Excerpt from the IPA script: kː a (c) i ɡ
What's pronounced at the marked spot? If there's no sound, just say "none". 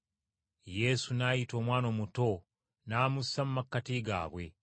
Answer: t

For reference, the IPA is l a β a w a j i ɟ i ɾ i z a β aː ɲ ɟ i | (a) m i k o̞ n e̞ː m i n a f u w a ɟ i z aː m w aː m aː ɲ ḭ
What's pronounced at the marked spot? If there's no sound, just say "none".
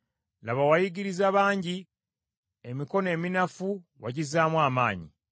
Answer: e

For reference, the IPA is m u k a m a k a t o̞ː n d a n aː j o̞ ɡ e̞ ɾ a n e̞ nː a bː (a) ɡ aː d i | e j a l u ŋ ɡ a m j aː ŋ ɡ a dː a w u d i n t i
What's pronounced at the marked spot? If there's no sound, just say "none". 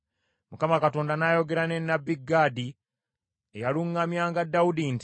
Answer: i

